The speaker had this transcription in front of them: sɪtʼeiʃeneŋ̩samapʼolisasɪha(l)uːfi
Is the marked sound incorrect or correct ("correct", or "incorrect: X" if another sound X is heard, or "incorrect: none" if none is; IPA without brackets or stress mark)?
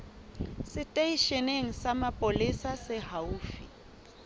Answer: incorrect: none